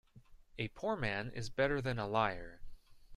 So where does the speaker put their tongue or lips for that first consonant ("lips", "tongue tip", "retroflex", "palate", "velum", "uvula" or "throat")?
lips